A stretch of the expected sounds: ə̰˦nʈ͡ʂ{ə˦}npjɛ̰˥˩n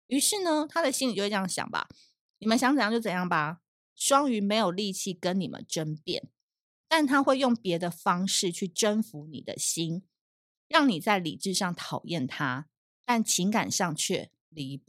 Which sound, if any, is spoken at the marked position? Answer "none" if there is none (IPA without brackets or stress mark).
ə˦